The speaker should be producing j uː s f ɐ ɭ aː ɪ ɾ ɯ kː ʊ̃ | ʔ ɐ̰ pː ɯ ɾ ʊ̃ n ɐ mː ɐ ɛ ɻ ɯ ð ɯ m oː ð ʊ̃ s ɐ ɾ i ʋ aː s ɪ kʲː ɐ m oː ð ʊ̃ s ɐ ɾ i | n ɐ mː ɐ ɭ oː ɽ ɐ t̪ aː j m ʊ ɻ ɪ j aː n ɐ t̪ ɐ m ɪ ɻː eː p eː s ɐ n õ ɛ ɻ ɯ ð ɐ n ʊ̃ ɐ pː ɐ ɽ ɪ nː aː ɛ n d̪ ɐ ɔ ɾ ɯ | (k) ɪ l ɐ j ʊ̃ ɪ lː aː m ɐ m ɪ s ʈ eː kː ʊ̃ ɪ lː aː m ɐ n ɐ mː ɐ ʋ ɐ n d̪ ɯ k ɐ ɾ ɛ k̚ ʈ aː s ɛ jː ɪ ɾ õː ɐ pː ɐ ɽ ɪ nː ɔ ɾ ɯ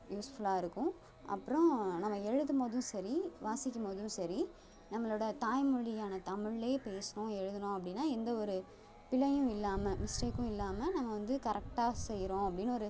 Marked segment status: incorrect: p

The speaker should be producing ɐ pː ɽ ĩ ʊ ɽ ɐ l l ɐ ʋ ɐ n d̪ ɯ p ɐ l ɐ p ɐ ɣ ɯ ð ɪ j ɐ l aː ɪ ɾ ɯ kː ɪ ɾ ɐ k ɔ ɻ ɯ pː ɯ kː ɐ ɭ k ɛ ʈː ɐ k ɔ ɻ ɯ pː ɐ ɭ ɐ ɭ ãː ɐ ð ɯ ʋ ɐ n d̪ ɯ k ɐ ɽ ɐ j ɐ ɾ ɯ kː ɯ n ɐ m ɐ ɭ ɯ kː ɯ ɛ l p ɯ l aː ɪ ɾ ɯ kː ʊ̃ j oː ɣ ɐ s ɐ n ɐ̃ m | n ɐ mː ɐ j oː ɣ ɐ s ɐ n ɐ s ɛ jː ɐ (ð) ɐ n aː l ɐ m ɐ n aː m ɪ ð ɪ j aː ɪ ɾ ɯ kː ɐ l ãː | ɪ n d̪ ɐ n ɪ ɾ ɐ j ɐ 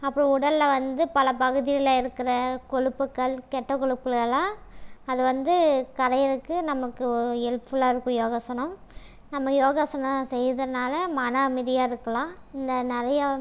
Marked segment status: correct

